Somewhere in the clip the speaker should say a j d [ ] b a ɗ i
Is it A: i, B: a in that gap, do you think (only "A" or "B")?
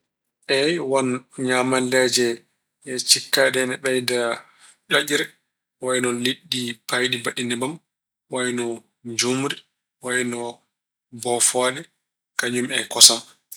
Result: A